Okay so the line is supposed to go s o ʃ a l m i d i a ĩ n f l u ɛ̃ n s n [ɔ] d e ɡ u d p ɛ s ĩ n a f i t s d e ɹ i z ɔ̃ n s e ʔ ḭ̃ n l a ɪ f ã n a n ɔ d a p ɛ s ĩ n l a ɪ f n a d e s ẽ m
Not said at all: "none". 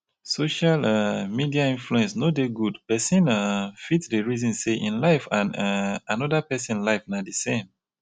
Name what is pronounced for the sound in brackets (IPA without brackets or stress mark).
o